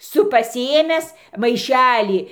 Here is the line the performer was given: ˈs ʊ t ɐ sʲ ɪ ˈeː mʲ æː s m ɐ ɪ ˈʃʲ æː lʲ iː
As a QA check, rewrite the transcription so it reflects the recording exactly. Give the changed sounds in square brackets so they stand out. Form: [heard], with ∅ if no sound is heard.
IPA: ˈs ʊ [p] ɐ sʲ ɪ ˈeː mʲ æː s m ɐ ɪ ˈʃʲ æː lʲ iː